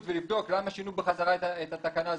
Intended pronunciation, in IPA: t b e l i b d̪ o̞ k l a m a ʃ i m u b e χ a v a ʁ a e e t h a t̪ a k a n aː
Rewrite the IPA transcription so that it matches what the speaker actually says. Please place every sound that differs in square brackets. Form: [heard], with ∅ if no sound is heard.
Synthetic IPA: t [v] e l i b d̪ o̞ k l a m a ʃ i [n] u b e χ a [z] a ʁ a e e t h a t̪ a k a n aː